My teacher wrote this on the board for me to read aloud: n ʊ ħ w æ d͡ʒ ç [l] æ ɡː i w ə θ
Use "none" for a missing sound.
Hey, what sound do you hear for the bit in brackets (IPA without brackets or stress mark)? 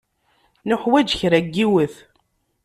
ɾ